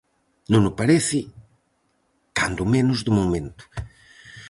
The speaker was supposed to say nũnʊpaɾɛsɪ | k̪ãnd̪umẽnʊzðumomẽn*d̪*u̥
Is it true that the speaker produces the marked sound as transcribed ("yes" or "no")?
no